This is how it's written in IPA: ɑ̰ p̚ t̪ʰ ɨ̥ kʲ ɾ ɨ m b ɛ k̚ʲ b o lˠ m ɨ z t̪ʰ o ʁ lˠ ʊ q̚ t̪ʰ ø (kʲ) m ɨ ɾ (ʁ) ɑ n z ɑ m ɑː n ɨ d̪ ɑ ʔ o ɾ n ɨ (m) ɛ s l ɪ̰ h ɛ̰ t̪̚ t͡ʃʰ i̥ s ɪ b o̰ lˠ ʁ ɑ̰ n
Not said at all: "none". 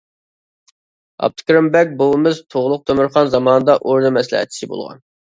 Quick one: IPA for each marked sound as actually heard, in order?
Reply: none, χ, m

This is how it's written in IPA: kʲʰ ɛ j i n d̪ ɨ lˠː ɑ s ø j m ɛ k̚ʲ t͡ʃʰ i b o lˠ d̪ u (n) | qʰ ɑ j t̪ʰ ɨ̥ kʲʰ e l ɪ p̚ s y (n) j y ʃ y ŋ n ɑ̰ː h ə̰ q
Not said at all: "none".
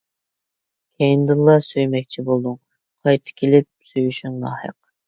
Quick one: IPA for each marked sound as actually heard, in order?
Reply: ŋ, none

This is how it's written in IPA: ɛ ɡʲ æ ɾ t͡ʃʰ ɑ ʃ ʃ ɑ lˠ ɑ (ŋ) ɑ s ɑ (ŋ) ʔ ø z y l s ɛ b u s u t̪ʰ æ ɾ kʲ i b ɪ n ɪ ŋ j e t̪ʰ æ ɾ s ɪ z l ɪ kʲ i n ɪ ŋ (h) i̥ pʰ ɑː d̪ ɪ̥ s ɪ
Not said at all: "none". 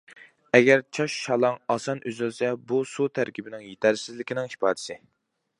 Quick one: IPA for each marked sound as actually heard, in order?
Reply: ŋ, n, h

